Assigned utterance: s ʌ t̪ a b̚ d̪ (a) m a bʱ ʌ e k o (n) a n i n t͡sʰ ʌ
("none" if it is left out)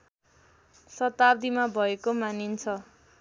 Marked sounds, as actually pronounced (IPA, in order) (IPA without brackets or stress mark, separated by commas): i, m